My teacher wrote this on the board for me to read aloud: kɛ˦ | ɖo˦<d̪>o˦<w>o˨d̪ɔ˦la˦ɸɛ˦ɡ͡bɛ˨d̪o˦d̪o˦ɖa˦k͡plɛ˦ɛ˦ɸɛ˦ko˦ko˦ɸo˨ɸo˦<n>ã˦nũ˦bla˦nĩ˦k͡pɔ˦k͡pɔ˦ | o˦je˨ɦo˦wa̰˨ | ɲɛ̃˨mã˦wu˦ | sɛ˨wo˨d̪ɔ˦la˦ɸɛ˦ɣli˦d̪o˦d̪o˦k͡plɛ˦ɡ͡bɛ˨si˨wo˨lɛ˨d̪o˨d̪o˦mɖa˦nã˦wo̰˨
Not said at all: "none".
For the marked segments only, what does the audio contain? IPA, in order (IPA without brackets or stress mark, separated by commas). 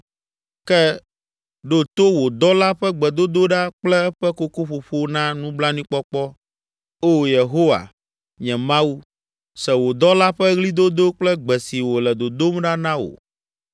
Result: t̪, w, n